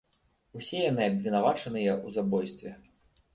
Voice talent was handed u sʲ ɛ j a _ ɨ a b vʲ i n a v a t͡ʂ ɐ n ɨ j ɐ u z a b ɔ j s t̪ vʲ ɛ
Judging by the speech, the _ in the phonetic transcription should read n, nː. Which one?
n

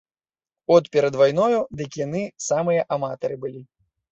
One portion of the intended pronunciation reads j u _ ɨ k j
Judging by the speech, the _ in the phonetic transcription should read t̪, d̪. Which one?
d̪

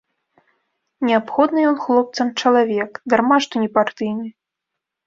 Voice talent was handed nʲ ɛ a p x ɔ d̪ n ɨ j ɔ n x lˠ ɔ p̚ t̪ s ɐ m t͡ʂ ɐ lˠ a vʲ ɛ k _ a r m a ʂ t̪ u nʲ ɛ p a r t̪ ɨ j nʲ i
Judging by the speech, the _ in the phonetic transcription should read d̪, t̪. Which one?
d̪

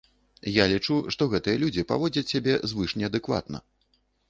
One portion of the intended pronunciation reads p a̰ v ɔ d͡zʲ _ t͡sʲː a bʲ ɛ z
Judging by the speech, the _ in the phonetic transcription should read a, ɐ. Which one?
ɐ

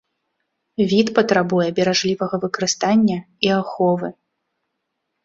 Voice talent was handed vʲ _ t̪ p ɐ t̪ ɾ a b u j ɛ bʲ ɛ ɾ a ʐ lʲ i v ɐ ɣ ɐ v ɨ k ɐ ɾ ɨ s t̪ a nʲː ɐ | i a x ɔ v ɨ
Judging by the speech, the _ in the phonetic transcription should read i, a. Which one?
i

